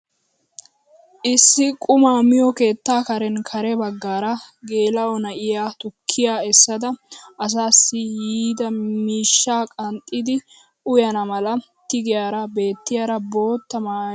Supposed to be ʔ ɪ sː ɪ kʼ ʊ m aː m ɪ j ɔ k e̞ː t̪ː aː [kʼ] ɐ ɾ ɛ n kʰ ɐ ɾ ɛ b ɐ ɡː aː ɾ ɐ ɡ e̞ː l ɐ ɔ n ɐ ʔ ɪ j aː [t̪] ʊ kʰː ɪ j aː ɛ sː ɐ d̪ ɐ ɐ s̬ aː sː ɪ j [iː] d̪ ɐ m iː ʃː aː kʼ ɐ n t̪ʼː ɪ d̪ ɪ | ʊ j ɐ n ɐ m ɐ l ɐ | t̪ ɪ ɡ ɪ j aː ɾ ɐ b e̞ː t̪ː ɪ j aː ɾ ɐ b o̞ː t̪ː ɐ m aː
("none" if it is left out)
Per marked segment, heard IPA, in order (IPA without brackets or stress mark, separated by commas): k, t̪, iː